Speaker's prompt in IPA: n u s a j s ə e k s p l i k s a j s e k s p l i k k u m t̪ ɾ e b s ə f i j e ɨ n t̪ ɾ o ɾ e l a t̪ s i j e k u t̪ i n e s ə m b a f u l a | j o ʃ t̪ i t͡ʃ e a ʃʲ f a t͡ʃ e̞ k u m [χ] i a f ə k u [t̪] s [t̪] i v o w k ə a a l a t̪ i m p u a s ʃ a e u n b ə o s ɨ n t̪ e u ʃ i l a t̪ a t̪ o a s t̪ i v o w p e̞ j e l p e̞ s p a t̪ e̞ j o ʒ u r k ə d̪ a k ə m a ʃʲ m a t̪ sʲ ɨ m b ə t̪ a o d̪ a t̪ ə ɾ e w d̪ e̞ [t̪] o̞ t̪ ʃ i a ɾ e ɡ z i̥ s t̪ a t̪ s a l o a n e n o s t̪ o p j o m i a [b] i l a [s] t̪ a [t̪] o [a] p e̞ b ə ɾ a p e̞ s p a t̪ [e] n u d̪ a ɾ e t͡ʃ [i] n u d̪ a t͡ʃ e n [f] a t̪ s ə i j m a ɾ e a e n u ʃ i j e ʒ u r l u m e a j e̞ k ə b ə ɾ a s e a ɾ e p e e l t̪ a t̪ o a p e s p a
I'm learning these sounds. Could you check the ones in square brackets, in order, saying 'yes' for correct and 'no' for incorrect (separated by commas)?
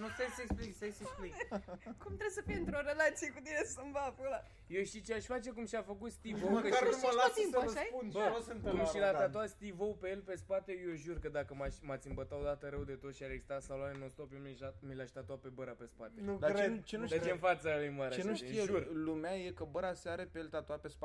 no, yes, yes, yes, no, no, yes, yes, yes, no, yes